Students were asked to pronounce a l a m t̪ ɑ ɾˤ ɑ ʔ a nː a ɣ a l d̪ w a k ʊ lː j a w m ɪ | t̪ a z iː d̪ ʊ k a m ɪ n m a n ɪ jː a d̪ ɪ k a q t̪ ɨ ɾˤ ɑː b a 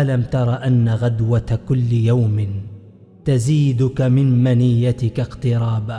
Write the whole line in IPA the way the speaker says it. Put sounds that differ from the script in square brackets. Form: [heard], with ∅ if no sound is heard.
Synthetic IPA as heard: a l a m t̪ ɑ ɾˤ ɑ ʔ a nː a ɣ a [∅] d̪ w a k ʊ lː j a w m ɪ | t̪ a z iː d̪ ʊ k a m ɪ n m a n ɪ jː a [t̪] ɪ k a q t̪ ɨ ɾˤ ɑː b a

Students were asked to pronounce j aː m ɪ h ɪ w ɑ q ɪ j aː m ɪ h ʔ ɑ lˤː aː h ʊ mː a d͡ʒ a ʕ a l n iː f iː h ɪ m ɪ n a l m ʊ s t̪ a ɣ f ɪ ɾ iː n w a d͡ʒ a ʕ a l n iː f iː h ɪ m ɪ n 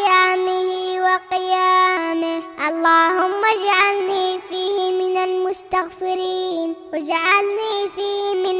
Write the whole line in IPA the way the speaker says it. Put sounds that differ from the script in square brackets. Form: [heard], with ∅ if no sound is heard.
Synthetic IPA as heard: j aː m ɪ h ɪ w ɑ q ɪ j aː m ɪ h ʔ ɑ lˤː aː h ʊ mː a d͡ʒ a ʕ a l n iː f iː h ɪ m ɪ n a l m ʊ s t̪ a ɣ f ɪ ɾ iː n w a d͡ʒ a ʕ a l n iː f iː h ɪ m ɪ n

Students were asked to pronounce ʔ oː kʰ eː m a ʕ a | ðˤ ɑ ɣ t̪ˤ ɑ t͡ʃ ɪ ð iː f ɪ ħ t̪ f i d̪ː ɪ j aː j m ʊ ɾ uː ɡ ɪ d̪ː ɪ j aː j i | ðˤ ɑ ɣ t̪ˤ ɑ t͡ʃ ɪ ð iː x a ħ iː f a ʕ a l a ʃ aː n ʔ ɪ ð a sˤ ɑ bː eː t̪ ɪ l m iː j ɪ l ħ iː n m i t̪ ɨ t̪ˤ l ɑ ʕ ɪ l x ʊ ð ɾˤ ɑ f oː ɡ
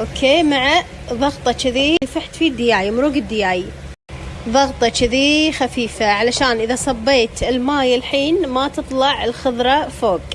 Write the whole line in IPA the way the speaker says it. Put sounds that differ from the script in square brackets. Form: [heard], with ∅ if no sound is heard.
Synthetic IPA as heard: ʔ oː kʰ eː m a ʕ a | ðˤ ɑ ɣ t̪ˤ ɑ t͡ʃ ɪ ð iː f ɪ ħ t̪ f i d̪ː ɪ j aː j m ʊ ɾ uː ɡ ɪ d̪ː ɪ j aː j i | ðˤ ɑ ɣ t̪ˤ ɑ t͡ʃ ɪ ð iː x a [f] iː f a ʕ a l a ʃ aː n ʔ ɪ ð a sˤ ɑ bː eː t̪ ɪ l m [aː] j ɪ l ħ iː n m [a] t̪ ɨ t̪ˤ l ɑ ʕ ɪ l x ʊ ð ɾˤ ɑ f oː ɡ

